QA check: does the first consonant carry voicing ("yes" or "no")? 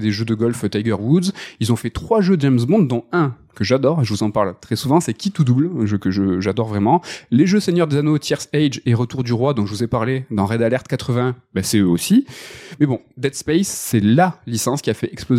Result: yes